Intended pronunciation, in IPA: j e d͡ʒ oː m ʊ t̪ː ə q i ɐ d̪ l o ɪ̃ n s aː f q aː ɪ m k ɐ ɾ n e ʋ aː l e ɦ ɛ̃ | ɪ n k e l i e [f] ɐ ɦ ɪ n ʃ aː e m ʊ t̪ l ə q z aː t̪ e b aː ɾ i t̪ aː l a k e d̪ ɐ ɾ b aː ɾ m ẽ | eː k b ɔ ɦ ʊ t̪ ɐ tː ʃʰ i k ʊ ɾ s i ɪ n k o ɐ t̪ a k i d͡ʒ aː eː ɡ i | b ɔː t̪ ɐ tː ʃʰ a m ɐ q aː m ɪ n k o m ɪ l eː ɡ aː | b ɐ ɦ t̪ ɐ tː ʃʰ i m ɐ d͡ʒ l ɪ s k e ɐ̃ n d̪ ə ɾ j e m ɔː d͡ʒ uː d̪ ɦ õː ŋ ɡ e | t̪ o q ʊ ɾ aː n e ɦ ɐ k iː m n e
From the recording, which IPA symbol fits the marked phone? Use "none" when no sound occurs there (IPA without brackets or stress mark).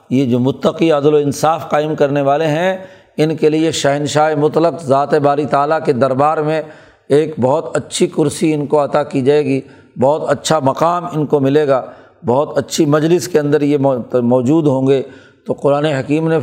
ʃ